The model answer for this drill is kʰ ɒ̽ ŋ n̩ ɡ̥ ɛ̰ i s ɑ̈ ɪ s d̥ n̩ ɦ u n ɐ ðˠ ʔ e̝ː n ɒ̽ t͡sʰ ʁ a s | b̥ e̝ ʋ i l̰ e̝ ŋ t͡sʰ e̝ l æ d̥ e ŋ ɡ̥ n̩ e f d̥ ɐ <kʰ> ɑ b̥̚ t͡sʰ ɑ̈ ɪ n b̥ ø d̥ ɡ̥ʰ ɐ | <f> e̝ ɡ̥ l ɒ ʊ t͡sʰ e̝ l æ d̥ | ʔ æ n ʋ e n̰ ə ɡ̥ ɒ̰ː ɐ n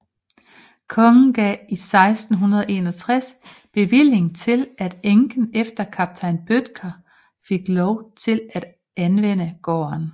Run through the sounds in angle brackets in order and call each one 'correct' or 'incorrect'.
correct, correct

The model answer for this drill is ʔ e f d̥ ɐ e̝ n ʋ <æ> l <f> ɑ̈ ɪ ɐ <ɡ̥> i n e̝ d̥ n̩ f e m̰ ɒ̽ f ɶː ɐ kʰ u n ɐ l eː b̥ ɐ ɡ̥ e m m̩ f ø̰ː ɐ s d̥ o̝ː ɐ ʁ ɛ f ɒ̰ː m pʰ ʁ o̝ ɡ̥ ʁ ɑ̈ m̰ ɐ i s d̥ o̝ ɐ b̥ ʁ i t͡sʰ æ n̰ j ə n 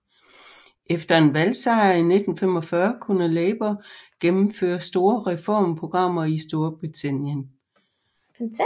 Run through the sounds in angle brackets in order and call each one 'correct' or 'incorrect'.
correct, incorrect, incorrect

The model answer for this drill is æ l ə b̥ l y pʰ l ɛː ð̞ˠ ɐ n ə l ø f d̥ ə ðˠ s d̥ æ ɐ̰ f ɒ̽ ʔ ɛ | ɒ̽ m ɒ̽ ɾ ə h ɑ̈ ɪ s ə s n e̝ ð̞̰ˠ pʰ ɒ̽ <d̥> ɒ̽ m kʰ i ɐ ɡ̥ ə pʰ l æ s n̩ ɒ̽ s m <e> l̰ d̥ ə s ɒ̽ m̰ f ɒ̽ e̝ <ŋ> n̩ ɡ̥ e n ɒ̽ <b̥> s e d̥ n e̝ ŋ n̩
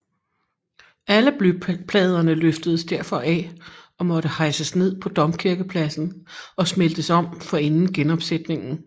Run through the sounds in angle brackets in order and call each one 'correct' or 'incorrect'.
correct, correct, incorrect, correct

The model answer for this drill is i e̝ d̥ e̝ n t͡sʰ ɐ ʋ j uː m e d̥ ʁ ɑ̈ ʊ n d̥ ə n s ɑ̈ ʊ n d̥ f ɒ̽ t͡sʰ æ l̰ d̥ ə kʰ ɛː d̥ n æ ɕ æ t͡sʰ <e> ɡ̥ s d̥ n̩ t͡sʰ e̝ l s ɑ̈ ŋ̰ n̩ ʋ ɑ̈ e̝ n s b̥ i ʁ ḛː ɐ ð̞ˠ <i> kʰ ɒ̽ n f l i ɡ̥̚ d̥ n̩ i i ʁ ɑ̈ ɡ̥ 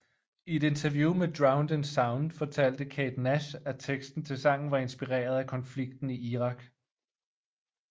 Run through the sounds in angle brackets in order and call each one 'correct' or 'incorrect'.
correct, incorrect

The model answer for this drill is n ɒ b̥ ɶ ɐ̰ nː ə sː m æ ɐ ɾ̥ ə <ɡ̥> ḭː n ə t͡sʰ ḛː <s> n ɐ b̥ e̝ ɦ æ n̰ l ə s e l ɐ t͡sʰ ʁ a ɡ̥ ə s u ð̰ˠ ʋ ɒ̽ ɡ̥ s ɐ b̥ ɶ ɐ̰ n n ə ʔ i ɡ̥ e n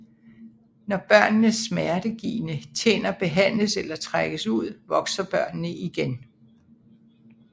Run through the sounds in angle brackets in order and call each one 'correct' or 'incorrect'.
correct, incorrect

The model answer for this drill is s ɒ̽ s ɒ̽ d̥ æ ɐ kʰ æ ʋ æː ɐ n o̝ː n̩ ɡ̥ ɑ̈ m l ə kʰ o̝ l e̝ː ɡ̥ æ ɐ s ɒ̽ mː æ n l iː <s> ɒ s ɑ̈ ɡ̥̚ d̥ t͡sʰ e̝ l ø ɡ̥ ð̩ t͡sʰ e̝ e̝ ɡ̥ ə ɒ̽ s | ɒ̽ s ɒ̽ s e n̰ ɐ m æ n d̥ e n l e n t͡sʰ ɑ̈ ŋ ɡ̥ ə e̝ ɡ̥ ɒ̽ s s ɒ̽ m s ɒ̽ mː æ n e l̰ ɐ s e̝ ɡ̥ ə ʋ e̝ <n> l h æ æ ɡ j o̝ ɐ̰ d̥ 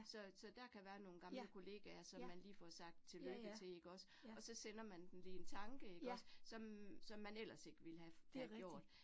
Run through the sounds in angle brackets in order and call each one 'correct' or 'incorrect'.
incorrect, incorrect

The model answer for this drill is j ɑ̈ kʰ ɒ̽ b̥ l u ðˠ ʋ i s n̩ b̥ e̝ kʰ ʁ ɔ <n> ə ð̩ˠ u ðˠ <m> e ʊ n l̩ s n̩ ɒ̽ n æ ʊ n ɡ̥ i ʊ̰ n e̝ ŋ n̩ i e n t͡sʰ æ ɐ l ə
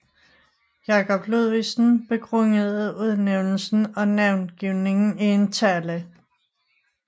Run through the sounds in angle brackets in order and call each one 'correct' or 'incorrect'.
incorrect, incorrect

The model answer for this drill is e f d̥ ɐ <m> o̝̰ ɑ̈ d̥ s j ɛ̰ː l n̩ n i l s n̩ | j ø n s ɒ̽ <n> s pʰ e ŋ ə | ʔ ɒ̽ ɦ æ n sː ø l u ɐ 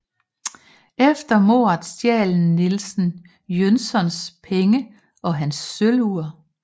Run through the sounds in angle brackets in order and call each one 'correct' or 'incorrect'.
correct, correct

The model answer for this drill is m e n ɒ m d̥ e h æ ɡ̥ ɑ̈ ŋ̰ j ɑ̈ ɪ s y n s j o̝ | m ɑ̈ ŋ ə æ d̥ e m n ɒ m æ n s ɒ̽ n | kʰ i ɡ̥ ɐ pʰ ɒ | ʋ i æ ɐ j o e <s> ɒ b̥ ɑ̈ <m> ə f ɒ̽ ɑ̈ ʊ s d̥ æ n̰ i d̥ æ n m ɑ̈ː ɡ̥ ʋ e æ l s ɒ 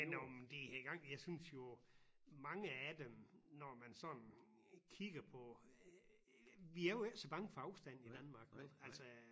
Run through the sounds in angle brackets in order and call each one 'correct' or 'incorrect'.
correct, incorrect

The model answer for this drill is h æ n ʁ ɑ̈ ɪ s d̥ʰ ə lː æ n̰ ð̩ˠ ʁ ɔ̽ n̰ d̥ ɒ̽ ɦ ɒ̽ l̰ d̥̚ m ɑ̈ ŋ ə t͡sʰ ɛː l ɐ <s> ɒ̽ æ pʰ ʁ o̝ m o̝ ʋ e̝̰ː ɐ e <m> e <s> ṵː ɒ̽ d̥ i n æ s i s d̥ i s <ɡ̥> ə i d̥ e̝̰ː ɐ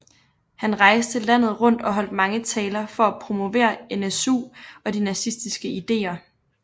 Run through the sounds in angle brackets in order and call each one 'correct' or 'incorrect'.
incorrect, incorrect, correct, correct

